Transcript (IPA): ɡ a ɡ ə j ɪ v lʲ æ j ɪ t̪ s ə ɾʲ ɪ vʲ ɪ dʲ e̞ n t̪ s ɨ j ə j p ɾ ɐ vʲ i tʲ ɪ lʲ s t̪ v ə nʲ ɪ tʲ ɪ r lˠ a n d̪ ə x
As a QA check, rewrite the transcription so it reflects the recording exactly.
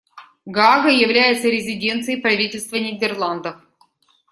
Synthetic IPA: ɡ a ɡ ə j ɪ v lʲ æ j ɪ t̪ s ə ɾʲ ɪ zʲ ɪ dʲ e̞ n t̪ s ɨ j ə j p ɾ ɐ vʲ i tʲ ɪ lʲ s t̪ v ə nʲ ɪ dʲ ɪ r lˠ a n d̪ ə f

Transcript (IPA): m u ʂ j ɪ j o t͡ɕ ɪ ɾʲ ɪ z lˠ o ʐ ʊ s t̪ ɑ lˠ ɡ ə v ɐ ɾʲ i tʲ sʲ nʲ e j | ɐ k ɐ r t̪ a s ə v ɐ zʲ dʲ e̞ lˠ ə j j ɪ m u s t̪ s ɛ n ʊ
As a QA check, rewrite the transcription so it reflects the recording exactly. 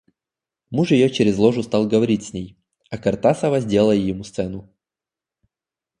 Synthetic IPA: m u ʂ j ɪ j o t͡ɕ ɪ ɾʲ ɪ z lˠ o ʐ ʊ s t̪ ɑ lˠ ɡ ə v ɐ ɾʲ i tʲ sʲ nʲ e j | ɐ k ɐ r t̪ a s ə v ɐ zʲ dʲ e̞ lˠ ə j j ɪ m u s t̪ s ɛ n ʊ

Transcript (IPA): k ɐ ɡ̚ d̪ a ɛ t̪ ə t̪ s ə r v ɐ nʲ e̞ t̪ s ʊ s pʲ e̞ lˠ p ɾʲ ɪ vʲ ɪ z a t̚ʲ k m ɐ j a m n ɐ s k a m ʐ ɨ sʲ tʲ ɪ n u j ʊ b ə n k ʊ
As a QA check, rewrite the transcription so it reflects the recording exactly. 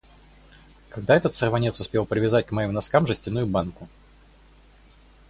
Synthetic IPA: k ɐ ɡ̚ d̪ a ɛ t̪ ə t̪ s ə r v ɐ nʲ e̞ t̪ s ʊ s pʲ e̞ lˠ p ɾʲ ɪ vʲ ɪ z a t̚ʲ k m ɐ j i m n ɐ s k a m ʐ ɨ sʲ tʲ ɪ n u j ʊ b a n k ʊ

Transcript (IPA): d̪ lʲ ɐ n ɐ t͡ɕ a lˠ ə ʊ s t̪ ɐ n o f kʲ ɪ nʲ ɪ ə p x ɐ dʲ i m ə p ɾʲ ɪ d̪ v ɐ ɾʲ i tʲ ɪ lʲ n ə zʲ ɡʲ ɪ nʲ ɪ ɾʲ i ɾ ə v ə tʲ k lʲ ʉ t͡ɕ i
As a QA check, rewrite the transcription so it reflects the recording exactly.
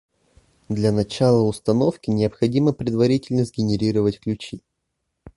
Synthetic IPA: d̪ lʲ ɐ n ɐ t͡ɕ a lˠ ə ʊ s t̪ ɐ n o f kʲ ɪ nʲ ɪ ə p x ɐ dʲ i m ə p ɾʲ ɪ d̪ v ɐ ɾʲ i tʲ ɪ lʲ n ə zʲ ɡʲ ɪ nʲ ɪ ɾʲ i ɾ ə v ə tʲ k lʲ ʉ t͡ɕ i

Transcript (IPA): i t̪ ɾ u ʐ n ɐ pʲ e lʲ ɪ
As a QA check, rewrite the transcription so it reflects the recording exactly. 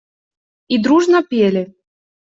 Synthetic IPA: i d̪ ɾ u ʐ n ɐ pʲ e lʲ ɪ

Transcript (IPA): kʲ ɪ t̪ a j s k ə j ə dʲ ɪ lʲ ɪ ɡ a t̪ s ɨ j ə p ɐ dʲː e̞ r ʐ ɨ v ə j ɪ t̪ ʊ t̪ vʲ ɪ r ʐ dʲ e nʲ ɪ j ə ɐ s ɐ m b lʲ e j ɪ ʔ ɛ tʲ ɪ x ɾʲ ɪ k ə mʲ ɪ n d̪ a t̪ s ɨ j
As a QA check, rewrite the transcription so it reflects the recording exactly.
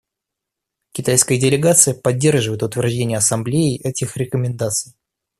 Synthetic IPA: kʲ ɪ t̪ a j s k ə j ə dʲ ɪ lʲ ɪ ɡ a t̪ s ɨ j ə p ɐ dʲː e̞ r ʐ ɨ v ə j ɪ t̪ ʊ t̪ vʲ ɪ r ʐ dʲ e nʲ ɪ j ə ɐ s ɐ m b lʲ e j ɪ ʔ ɛ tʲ ɪ x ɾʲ ɪ k ə mʲ ɪ n d̪ a t̪ s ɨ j

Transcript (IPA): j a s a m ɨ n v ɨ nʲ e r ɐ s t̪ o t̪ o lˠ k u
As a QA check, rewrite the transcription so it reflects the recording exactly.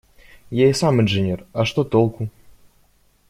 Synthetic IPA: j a s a m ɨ n ʐ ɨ nʲ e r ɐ ʂ t̪ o t̪ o lˠ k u

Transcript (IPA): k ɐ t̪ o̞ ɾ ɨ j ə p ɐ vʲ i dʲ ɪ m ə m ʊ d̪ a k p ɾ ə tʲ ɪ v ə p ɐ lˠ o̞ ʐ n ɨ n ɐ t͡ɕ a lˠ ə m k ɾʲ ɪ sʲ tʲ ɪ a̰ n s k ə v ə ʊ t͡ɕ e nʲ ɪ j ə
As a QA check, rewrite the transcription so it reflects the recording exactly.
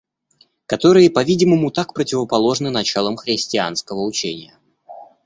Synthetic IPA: k ɐ t̪ o̞ ɾ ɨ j ə p ɐ vʲ i dʲ ɪ m ə m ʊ t̪ a k p ɾ ə tʲ ɪ v ə p ɐ lˠ o̞ ʐ n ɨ n ɐ t͡ɕ a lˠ ə m x ɾʲ ɪ sʲ tʲ ɪ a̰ n s k ə v ə ʊ t͡ɕ e nʲ ɪ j ə

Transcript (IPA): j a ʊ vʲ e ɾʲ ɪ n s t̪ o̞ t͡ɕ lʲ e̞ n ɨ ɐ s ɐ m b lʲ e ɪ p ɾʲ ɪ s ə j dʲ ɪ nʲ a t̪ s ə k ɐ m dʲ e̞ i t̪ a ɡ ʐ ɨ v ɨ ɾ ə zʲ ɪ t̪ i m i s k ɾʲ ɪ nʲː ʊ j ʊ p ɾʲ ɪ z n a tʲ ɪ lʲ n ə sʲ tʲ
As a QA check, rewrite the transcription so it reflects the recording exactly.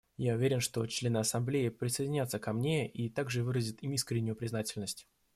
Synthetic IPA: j a ʊ vʲ e ɾʲ ɪ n ʂ t̪ o̞ t͡ɕ lʲ e̞ n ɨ ɐ s ɐ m b lʲ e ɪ p ɾʲ ɪ s ə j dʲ ɪ nʲ a t̪ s ə k ɐ m nʲ e̞ i t̪ a ɡ ʐ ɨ v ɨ ɾ ə zʲ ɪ t̪ i m i s k ɾʲ ɪ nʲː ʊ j ʊ p ɾʲ ɪ z n a tʲ ɪ lʲ n ə sʲ tʲ

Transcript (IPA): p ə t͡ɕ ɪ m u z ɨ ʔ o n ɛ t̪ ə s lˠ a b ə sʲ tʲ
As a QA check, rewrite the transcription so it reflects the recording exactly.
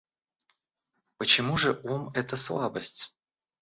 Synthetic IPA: p ə t͡ɕ ɪ m u ʐ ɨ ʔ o m ɛ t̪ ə s lˠ a b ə sʲ tʲ

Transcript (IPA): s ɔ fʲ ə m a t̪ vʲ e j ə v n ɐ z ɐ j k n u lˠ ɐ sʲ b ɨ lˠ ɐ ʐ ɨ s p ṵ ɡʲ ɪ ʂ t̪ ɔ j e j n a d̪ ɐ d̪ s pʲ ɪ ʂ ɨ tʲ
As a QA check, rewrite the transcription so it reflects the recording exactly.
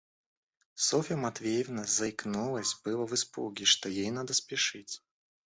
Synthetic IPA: s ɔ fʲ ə m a t̪ vʲ e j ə v n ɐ z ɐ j k n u lˠ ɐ sʲ b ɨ lˠ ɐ v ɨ s p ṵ ɡʲ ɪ ʂ t̪ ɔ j e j n a d̪ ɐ s pʲ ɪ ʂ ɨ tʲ

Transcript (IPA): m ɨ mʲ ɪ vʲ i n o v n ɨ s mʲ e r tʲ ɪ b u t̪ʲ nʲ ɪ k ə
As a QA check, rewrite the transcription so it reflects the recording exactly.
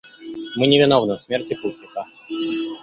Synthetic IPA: m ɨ nʲ ɪ vʲ ɪ n o v n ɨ s mʲ e r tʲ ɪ p u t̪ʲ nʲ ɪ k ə

